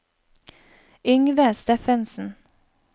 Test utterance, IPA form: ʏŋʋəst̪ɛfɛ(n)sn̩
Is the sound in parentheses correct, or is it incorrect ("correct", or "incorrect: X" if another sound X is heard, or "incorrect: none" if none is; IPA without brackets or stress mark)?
correct